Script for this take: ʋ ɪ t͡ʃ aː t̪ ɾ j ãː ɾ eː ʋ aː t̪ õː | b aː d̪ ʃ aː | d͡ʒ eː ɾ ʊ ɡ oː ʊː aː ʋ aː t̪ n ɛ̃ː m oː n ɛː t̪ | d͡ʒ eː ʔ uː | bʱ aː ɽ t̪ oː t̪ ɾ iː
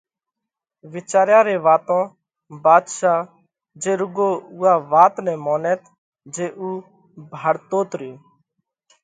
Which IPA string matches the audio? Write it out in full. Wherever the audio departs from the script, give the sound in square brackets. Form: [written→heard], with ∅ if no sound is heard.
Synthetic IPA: ʋ ɪ t͡ʃ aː [t̪→∅] ɾ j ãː ɾ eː ʋ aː t̪ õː | b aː d̪ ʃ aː | d͡ʒ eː ɾ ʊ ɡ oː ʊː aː ʋ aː t̪ n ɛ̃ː m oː n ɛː t̪ | d͡ʒ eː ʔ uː | bʱ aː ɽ t̪ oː t̪ ɾ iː